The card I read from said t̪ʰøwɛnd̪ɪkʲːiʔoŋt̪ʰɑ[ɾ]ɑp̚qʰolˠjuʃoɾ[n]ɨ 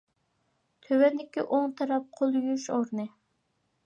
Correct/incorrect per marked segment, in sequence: correct, correct

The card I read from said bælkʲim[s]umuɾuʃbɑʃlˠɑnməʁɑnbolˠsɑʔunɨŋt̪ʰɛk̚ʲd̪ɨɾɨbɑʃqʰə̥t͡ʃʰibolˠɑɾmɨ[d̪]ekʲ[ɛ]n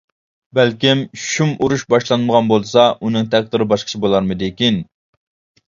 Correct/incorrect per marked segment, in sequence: incorrect: ʃ, correct, incorrect: i

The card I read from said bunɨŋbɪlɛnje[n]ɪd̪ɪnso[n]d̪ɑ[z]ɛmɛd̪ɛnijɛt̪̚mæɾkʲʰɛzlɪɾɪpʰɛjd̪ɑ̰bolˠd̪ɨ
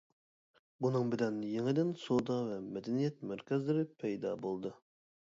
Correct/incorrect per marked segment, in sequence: incorrect: ŋ, incorrect: none, incorrect: v

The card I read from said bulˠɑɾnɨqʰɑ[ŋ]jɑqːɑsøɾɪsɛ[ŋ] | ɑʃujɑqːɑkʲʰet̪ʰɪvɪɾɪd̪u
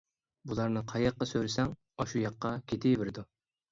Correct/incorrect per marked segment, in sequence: incorrect: none, correct

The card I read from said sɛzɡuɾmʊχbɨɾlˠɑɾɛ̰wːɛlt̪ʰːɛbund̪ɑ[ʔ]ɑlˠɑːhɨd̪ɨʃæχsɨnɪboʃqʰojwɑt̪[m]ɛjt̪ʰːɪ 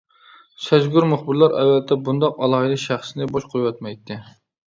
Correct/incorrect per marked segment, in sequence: incorrect: q, correct

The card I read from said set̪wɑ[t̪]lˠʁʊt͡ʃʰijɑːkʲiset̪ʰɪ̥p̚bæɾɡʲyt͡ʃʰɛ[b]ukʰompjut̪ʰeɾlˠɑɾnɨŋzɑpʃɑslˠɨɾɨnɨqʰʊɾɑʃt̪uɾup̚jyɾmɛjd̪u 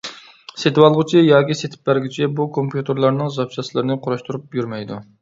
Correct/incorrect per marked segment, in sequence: incorrect: none, correct

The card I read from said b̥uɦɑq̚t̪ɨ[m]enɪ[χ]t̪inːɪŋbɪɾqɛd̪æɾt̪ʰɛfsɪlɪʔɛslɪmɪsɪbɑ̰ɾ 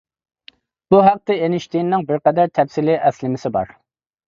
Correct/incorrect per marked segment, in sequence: incorrect: none, incorrect: ʃ

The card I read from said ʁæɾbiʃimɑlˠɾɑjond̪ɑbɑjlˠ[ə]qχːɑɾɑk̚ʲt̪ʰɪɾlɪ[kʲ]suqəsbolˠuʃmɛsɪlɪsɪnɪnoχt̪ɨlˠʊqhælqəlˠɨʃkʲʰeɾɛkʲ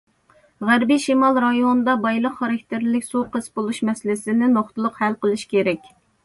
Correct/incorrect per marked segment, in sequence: correct, correct

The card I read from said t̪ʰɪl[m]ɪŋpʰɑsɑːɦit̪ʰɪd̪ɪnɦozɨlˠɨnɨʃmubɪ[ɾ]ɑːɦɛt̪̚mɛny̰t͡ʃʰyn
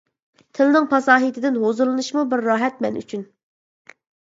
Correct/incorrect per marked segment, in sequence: incorrect: n, incorrect: ɾː

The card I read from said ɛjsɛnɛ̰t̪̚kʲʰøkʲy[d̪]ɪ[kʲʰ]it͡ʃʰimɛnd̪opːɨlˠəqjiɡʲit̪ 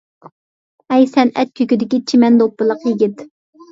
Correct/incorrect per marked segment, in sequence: correct, incorrect: kʲ

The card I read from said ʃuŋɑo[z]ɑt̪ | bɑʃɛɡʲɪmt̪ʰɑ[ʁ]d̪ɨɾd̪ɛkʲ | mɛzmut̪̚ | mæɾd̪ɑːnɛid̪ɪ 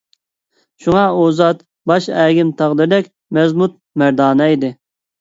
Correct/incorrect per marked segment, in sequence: correct, correct

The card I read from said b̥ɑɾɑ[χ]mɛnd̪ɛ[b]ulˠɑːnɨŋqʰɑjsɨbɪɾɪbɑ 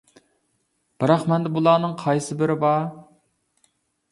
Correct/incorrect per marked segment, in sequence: correct, correct

